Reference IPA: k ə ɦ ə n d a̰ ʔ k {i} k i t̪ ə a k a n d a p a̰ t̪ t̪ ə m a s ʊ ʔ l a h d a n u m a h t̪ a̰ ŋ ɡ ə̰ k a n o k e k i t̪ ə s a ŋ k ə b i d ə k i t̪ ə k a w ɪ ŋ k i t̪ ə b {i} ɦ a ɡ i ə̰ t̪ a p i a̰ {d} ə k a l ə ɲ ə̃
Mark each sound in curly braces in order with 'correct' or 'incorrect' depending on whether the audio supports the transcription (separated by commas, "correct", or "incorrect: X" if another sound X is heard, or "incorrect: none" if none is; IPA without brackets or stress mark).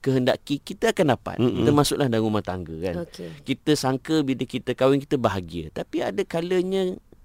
correct, incorrect: a, correct